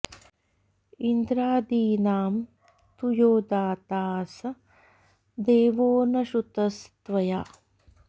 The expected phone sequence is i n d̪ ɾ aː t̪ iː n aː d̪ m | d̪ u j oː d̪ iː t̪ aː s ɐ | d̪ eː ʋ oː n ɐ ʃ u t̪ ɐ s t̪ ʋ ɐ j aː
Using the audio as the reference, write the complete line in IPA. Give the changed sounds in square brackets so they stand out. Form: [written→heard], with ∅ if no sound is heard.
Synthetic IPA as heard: i n d̪ ɾ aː [t̪→d̪] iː n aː [d̪→∅] m | [d̪→t̪] u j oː d̪ [iː→aː] t̪ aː s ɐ | d̪ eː ʋ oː n ɐ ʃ u t̪ ɐ s t̪ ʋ ɐ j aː